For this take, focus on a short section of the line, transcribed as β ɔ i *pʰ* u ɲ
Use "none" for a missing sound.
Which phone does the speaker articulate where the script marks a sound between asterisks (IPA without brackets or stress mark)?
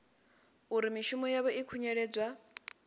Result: kʰ